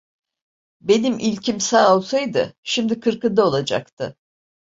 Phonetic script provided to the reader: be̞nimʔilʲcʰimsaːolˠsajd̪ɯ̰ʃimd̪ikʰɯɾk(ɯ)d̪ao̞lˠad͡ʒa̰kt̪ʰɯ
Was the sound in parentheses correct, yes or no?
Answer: yes